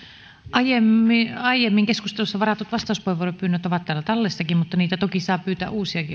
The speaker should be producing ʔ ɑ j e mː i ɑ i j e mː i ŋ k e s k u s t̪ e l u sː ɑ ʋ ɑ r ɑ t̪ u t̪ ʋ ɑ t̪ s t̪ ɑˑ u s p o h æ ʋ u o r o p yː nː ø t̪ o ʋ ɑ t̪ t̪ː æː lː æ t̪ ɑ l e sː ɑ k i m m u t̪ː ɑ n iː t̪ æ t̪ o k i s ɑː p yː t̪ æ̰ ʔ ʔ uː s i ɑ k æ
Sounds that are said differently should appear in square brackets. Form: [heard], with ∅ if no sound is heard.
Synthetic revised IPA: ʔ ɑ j e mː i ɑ i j e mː i ŋ k e s k u s t̪ e l u sː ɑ ʋ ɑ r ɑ t̪ u t̪ ʋ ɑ [∅] s t̪ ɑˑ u s p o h [e] ʋ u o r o p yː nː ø t̪ o ʋ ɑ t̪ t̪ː æː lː æ t̪ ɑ [lː] e sː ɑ k i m m u t̪ː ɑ n iː t̪ æ t̪ o k i s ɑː p yː t̪ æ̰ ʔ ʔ uː s i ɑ k [i]